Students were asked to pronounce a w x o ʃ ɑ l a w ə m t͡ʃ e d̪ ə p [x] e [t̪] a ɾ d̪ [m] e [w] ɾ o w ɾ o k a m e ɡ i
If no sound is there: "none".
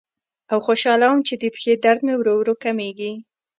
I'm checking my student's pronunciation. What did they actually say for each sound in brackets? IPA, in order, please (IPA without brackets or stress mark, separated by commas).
x, d̪, m, w